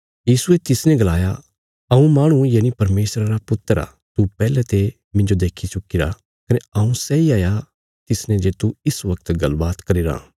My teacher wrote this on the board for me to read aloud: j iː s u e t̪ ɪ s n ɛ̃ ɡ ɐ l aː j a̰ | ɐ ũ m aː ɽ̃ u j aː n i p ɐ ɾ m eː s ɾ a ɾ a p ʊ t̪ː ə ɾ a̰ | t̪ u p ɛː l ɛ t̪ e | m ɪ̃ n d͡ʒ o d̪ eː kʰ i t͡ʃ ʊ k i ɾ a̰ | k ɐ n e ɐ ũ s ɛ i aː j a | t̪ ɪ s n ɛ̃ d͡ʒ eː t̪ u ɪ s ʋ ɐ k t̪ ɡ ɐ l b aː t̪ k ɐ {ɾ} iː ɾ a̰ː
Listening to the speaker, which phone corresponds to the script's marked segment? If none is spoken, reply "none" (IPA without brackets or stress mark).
ɾ